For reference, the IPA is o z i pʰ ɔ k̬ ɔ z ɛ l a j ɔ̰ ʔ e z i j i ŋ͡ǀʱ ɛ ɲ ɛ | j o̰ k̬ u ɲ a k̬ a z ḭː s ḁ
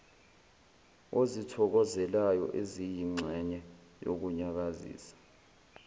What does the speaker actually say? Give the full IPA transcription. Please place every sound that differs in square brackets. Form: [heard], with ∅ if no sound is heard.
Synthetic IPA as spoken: o z i [tʰ] ɔ k̬ ɔ z ɛ l a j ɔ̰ ʔ e z i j i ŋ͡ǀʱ ɛ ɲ ɛ | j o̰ k̬ u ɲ a k̬ a z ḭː s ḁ